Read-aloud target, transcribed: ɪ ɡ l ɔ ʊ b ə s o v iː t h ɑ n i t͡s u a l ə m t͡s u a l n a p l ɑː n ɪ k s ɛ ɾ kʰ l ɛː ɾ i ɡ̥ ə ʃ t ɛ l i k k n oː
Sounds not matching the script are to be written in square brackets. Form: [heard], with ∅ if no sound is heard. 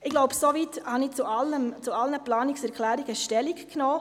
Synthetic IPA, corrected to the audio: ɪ ɡ l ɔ ʊ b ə s o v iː t h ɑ n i t͡s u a l ə m t͡s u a l n [ə] p l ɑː n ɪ k s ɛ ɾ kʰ l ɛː ɾ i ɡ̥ ə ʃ t ɛ l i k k n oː

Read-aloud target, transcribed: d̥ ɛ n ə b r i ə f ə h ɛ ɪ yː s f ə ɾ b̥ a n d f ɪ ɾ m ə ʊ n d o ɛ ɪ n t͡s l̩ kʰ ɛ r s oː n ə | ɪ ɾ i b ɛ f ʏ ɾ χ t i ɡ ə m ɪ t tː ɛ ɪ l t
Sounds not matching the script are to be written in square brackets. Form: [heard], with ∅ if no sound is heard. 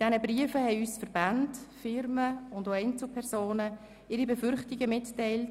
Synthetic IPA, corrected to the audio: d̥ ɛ n ə b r i ə f ə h ɛ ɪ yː s f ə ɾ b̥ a n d f ɪ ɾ m ə ʊ n d o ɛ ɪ n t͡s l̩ [pʰ] ɛ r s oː n ə | ɪ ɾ i b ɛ f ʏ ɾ χ t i ɡ ə m ɪ t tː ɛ ɪ l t

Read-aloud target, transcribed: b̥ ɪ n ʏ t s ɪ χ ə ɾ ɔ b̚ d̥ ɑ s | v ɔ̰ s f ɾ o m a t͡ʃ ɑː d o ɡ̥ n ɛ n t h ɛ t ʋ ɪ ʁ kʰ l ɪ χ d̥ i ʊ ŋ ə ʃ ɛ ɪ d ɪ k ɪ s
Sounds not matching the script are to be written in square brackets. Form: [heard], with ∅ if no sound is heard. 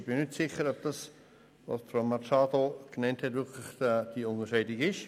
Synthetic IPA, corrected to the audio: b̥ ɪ n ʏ t s ɪ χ ə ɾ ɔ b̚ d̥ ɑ s | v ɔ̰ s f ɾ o m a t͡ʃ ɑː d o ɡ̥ n ɛ n t h ɛ t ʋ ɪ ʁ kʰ l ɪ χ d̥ i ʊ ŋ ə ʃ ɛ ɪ d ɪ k ɪ [ʃ]

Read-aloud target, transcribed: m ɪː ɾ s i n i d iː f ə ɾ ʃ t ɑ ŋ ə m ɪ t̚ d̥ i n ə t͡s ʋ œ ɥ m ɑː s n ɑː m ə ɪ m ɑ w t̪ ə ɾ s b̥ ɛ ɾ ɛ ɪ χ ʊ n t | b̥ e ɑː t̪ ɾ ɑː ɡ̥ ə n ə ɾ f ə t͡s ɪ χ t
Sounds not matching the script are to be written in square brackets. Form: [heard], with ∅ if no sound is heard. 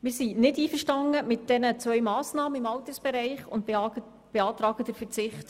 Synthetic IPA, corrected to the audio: m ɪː ɾ s i n [ɪ] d iː f ə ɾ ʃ t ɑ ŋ ə m ɪ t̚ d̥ [ɛ] n ə t͡s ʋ œ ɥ m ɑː s n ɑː m ə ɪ m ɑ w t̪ ə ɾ s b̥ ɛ ɾ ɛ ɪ χ ʊ n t | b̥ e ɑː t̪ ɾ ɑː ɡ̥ ə [d] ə ɾ f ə t͡s ɪ χ t

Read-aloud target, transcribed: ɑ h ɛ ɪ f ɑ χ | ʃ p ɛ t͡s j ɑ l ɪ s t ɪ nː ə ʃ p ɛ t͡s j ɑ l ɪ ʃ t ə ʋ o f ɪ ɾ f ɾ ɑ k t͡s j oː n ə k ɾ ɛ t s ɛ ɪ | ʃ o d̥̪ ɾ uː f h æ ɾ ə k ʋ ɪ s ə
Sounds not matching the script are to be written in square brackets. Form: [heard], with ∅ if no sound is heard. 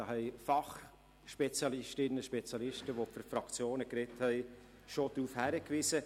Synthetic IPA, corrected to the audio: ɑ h ɛ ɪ f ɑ χ | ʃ p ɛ t͡s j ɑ l ɪ [ʃ] t ɪ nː ə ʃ p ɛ t͡s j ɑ l ɪ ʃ t ə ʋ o f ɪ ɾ f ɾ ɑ k t͡s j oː n ə k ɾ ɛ t [h] ɛ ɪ | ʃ o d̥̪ ɾ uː f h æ ɾ ə k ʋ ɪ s ə

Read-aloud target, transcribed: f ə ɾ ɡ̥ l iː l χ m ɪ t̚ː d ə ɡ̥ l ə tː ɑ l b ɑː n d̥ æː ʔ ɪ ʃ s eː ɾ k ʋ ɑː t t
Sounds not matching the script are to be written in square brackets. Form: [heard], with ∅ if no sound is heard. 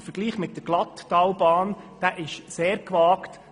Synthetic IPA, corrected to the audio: f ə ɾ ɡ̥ l iː [∅] χ m ɪ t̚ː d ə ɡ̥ l [ɑ] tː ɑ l b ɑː n d̥ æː ʔ ɪ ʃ s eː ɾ k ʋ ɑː [k] t

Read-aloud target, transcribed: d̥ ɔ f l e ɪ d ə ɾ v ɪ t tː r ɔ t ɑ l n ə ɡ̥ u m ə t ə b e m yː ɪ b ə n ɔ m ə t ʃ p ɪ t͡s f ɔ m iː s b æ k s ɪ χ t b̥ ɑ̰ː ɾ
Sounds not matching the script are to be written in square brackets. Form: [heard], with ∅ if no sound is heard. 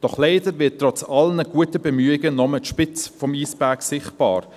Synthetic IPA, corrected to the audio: d̥ ɔ [χ] l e ɪ d ə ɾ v ɪ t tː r ɔ [t͡s] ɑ l n ə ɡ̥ u [∅] ə t ə b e m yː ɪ [ɡ] ə n ɔ m ə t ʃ p ɪ t͡s f ɔ m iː s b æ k s ɪ χ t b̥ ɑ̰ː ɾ

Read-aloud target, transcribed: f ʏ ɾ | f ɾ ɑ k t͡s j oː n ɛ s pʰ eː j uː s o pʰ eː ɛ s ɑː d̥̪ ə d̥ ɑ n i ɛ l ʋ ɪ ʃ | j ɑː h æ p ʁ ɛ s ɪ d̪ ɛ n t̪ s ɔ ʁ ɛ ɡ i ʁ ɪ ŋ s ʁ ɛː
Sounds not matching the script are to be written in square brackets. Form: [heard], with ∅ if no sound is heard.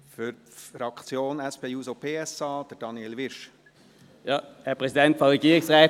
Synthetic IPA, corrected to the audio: f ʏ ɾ | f ɾ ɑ k t͡s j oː n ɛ s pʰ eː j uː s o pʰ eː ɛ s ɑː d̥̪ ə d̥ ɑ n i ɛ l ʋ ɪ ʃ | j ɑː h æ p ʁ ɛ s ɪ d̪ ɛ n t̪ [f] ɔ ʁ ɛ ɡ [iː] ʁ ɪ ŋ s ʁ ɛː

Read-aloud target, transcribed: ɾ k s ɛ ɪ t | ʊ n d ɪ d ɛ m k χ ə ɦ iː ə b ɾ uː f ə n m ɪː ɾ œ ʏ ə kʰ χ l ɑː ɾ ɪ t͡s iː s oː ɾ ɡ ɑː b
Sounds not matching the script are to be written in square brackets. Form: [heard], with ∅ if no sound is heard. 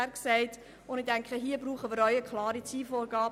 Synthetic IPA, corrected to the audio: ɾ k s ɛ ɪ t | ʊ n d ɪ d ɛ [ŋ] k χ ə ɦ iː ə b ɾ uː [χ] ə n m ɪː ɾ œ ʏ ə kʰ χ l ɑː ɾ [i] t͡s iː [f] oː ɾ ɡ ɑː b

